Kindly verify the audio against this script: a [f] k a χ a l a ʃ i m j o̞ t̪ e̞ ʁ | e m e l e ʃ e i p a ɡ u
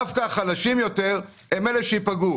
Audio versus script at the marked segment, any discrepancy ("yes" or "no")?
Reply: no